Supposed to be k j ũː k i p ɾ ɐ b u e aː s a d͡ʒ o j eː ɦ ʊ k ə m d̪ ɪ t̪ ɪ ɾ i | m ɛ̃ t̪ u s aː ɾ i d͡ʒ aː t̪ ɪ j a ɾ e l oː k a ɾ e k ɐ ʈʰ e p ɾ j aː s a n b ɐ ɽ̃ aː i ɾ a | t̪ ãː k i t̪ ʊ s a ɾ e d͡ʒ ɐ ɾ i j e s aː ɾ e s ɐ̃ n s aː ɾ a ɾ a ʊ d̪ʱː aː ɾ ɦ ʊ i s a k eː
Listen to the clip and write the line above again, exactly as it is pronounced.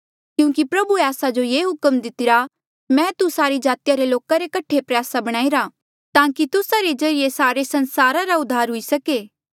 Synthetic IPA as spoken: k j ũː k i p ɾ ɐ b u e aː s a d͡ʒ o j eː ɦ ʊ k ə m d̪ ɪ t̪ ɪ ɾ a | m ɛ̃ t̪ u s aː ɾ i d͡ʒ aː t̪ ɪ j a ɾ e l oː k a ɾ e k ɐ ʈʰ e p ɾ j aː s a b ɐ ɽ̃ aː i ɾ a | t̪ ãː k i t̪ ʊ s a ɾ e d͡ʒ ɐ ɾ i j e s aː ɾ e s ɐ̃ n s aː ɾ a ɾ a ʊ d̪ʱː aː ɾ ɦ ʊ i s ɐ k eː

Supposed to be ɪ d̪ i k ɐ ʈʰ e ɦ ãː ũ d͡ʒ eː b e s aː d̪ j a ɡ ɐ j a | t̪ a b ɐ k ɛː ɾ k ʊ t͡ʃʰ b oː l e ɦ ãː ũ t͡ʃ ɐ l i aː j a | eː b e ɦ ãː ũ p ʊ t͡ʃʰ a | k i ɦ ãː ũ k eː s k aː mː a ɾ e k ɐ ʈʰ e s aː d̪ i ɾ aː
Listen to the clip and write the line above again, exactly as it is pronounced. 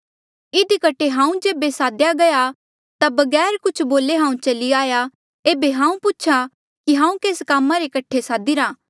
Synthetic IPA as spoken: ɪ d̪ i k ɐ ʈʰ e ɦ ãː ũ d͡ʒ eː b e s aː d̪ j a ɡ ɐ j a | t̪ a b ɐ ɡ ɛː ɾ k ʊ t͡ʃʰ b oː l e ɦ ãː ũ t͡ʃ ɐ l i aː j a | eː b e ɦ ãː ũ p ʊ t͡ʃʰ a | k i ɦ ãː ũ k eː s k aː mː a ɾ e k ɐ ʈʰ e s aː d̪ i ɾ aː

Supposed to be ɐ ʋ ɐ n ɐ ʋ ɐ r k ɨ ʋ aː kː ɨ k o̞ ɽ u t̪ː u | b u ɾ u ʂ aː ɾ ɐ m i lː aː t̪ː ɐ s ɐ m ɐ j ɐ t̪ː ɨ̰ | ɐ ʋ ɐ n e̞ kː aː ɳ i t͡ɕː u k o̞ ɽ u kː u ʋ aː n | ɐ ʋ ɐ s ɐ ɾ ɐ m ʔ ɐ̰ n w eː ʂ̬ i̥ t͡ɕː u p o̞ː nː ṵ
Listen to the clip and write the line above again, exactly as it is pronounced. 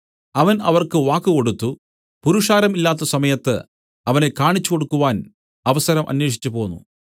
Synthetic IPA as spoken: ɐ ʋ ɐ n ɐ ʋ ɐ r k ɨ ʋ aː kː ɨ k o̞ ɽ u t̪ː u | p u ɾ u ʂ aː ɾ ɐ m i lː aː t̪ː ɐ s ɐ m ɐ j ɐ t̪ː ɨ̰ | ɐ ʋ ɐ n e̞ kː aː ɳ i t͡ɕː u k o̞ ɽ u kː u ʋ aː n | ɐ ʋ ɐ s ɐ ɾ ɐ m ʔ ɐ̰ n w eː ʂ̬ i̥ t͡ɕː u p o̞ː nː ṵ

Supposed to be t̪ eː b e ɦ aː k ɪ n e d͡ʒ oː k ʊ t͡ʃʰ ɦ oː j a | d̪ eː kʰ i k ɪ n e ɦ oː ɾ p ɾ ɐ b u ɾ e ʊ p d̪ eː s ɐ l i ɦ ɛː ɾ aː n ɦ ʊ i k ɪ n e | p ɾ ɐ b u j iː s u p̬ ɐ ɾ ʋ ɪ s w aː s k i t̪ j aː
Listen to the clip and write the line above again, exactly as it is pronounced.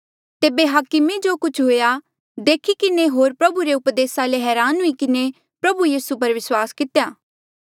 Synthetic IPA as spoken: t̪ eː b e ɦ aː k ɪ m e d͡ʒ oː k ʊ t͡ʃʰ ɦ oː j a | d̪ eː kʰ i k ɪ n e ɦ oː ɾ p ɾ ɐ b u ɾ e ʊ p d̪ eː s a l e ɦ ɛː ɾ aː n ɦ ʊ i k ɪ n e | p ɾ ɐ b u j iː s u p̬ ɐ ɾ ʋ ɪ s w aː s k ɪ t̪ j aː

